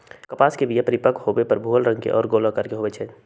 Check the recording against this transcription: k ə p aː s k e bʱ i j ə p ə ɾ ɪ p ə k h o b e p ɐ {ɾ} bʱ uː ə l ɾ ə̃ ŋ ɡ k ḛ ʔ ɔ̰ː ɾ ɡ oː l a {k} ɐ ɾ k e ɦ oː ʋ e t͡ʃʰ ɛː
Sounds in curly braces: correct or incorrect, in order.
correct, correct

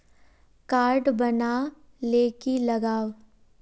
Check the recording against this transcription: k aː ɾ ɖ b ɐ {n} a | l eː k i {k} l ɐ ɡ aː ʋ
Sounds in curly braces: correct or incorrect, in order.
correct, incorrect

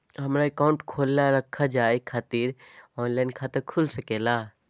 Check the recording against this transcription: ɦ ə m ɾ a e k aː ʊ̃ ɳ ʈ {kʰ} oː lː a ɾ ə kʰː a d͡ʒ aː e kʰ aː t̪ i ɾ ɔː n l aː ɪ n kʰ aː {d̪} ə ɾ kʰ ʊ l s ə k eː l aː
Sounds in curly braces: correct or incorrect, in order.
correct, incorrect

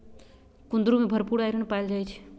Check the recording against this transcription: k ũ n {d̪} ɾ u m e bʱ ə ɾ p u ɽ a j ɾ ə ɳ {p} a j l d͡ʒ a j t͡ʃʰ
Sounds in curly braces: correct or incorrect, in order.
correct, correct

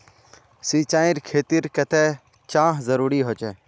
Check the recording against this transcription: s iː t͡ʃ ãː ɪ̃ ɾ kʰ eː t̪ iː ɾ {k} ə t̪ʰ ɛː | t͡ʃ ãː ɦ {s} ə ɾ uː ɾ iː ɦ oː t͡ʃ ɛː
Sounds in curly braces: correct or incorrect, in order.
correct, incorrect

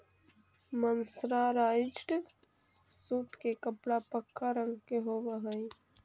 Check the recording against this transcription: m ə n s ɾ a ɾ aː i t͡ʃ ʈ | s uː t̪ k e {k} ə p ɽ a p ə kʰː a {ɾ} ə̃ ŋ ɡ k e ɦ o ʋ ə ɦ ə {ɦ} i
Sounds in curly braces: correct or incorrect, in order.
correct, correct, incorrect

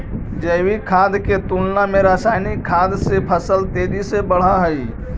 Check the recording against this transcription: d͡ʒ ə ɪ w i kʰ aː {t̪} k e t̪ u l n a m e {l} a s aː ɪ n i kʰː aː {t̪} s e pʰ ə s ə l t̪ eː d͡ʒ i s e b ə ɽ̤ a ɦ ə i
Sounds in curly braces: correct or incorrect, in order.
incorrect, incorrect, incorrect

